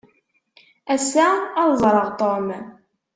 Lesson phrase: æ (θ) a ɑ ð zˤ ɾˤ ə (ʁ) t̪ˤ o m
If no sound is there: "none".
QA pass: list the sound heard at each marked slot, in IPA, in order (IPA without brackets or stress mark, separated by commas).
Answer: s, ʁ